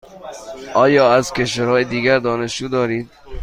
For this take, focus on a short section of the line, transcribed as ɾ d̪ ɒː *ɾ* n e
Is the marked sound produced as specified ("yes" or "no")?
no